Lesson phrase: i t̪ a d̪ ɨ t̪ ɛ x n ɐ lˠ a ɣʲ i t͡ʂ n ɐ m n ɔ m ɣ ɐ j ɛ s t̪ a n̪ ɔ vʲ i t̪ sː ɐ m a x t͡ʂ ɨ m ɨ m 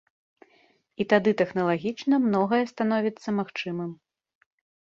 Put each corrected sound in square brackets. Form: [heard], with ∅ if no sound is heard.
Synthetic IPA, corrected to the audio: i t̪ a d̪ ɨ t̪ ɛ x n ɐ lˠ a ɣʲ i t͡ʂ n ɐ m n ɔ [∅] ɣ ɐ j ɛ s t̪ a n̪ ɔ vʲ i t̪ sː ɐ m a x t͡ʂ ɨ m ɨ m